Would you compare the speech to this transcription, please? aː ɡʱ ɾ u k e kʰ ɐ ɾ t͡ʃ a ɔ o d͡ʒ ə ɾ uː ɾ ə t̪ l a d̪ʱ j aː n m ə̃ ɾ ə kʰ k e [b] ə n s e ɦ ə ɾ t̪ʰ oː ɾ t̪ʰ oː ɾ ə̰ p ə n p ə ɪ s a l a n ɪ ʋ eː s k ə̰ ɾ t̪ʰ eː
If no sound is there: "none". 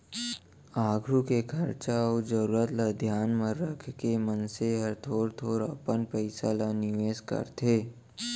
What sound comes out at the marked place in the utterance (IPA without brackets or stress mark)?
m